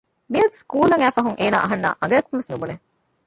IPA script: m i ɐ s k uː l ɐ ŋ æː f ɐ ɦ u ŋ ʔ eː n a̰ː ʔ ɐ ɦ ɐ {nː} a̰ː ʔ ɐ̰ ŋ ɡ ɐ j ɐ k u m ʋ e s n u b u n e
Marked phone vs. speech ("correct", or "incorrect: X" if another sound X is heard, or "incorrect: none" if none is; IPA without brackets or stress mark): correct